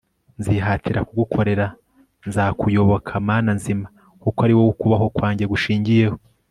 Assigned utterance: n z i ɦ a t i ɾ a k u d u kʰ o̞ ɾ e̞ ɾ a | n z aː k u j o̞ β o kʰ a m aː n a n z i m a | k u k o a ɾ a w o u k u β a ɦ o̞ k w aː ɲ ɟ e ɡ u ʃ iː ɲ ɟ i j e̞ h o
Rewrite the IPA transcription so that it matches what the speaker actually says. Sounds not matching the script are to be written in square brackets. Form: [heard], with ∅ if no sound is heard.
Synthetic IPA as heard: n z i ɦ a t i ɾ a k u [ɡ] u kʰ o̞ ɾ e̞ ɾ a | n z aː k u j o̞ β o kʰ a m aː n a n z i m a | k u k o a ɾ [i] w o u k u β a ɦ o̞ k w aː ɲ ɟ e ɡ u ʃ iː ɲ ɟ i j e̞ h o